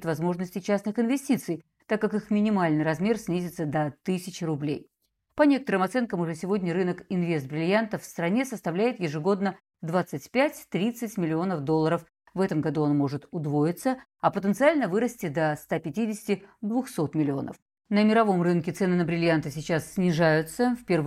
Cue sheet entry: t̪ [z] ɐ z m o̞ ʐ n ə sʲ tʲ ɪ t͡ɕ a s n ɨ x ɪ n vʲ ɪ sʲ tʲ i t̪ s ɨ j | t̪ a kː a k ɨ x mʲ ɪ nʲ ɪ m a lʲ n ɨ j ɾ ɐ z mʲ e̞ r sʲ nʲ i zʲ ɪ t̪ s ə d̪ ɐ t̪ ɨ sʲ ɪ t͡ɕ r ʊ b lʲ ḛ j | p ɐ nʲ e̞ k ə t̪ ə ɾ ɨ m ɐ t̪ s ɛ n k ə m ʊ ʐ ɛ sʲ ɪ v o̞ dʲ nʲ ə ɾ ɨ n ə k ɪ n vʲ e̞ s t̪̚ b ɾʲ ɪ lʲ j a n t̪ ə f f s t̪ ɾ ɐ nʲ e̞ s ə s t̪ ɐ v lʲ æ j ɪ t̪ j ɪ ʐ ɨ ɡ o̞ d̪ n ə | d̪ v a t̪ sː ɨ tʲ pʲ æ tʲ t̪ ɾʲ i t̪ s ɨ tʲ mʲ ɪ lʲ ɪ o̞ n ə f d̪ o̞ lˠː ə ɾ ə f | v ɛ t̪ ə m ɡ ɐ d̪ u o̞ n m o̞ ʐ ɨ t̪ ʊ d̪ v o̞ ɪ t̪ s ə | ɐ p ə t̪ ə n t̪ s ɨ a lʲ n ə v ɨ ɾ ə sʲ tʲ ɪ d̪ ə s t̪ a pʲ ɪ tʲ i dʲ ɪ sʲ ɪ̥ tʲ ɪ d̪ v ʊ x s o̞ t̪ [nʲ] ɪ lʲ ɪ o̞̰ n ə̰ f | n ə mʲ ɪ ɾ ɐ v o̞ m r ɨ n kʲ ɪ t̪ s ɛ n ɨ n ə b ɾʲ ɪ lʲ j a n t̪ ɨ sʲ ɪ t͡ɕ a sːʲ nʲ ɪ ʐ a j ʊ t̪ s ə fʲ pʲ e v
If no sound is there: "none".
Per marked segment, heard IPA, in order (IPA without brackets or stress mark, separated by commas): v, mʲ